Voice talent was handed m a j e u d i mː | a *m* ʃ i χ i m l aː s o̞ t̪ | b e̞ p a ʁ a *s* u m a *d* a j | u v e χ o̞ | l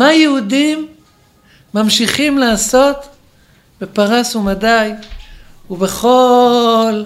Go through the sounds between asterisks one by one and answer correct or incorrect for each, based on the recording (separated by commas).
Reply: correct, correct, correct